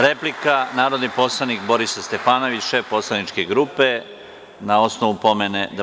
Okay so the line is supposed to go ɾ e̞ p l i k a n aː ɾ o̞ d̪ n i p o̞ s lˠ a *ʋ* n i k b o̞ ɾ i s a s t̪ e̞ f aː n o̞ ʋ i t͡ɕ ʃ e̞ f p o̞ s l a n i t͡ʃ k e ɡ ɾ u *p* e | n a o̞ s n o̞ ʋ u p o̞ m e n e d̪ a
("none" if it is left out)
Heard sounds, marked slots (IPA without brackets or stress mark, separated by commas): none, p